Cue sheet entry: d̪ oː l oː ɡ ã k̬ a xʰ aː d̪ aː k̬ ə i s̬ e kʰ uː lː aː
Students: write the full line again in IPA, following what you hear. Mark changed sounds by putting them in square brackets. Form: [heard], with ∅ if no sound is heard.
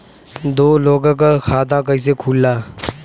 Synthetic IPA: d̪ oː l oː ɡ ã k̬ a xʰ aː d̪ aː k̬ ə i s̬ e kʰ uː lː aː